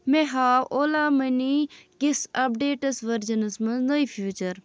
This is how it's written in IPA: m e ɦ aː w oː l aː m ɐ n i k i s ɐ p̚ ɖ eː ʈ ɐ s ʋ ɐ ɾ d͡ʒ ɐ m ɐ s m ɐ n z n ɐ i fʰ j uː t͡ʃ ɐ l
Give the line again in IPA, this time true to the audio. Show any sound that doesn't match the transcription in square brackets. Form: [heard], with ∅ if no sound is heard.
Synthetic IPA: m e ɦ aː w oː l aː m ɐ n i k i s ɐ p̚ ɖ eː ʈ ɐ s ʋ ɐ ɾ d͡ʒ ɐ [n] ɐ s m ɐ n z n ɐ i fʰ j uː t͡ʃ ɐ [ɾ]

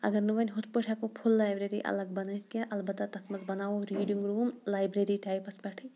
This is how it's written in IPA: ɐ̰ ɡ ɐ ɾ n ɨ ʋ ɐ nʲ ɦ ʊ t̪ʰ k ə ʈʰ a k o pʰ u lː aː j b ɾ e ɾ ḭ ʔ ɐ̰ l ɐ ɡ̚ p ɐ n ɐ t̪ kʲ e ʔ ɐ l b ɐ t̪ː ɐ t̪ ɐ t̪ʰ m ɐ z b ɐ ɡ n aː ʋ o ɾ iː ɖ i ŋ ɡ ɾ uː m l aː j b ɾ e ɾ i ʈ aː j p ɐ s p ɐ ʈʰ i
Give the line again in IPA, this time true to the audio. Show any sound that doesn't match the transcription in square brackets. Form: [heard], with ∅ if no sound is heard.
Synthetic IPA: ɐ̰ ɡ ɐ ɾ n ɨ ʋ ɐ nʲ ɦ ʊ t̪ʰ [p] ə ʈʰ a k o pʰ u lː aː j b ɾ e ɾ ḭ ʔ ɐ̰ l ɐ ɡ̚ [b] ɐ n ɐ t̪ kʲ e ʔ ɐ l b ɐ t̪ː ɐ t̪ ɐ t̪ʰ m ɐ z b ɐ [∅] n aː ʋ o ɾ iː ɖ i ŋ ɡ ɾ uː m l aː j b ɾ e ɾ i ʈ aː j p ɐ s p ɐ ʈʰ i

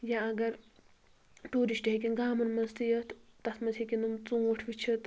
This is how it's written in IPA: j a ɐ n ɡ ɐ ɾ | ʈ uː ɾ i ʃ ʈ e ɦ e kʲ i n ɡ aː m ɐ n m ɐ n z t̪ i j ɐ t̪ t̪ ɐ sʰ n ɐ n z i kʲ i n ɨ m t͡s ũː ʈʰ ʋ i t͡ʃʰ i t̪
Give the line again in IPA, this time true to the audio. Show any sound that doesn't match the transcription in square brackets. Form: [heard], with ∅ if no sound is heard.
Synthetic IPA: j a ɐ [∅] ɡ ɐ ɾ | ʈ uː ɾ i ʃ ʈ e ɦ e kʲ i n ɡ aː m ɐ n m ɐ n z t̪ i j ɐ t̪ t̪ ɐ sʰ [m] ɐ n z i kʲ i n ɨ m t͡s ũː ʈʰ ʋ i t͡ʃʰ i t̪

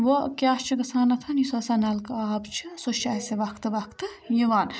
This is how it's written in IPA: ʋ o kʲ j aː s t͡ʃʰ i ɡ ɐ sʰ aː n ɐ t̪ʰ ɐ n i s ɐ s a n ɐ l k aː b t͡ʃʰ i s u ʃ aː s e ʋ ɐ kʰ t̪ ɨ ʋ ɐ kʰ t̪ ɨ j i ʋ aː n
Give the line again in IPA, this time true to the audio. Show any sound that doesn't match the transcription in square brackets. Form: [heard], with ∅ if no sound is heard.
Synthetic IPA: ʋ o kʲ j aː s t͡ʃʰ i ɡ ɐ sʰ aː n ɐ t̪ʰ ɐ n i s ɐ s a n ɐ l k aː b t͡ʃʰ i s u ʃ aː s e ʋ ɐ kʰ t̪ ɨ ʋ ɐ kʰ t̪ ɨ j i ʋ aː n

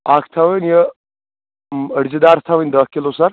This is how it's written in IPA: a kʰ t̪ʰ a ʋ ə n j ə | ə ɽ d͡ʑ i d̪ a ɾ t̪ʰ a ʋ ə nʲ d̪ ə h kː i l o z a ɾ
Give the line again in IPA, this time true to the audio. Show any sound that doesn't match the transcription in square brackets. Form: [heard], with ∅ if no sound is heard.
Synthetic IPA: a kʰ t̪ʰ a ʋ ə n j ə | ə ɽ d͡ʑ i d̪ a ɾ t̪ʰ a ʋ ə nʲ d̪ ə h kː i l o [s] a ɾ

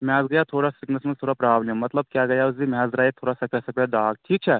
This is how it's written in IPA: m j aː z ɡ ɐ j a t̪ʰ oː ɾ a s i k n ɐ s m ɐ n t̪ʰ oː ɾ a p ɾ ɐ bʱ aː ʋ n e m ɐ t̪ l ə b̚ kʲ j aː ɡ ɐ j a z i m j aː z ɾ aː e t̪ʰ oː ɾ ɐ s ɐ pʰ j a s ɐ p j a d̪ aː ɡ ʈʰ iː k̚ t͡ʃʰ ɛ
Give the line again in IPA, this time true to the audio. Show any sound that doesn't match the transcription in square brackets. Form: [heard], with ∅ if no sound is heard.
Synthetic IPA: m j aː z ɡ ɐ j a t̪ʰ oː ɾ a s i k n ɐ s m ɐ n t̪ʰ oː ɾ a p ɾ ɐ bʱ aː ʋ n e m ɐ t̪ l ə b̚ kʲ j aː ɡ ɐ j a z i m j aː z ɾ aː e t̪ʰ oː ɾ [a] s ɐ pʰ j a s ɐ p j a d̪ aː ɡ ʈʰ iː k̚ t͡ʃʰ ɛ

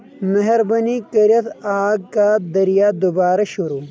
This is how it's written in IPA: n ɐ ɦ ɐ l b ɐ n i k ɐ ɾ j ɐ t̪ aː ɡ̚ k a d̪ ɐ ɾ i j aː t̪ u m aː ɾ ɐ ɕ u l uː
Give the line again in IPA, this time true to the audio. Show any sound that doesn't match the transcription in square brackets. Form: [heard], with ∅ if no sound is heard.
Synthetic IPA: [m] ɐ ɦ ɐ [ɾ] b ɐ n i k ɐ ɾ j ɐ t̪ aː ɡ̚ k a d̪ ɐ ɾ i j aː [d̪] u [b] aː ɾ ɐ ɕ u [ɾ] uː

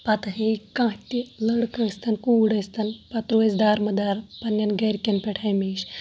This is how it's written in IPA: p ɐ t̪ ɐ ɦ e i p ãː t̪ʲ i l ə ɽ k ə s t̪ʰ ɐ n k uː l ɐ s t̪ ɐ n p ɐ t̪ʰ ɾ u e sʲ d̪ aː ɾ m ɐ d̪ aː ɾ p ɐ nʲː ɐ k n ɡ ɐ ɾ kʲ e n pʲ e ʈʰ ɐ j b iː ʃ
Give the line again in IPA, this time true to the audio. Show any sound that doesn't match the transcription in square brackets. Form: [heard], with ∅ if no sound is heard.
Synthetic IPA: p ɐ t̪ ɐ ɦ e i [k] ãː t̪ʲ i l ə ɽ k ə s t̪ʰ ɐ n k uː [ɽ] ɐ s t̪ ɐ n p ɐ [t̪] ɾ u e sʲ d̪ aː ɾ m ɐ d̪ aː ɾ p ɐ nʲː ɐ [∅] n ɡ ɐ ɾ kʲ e n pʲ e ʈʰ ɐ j [m] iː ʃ

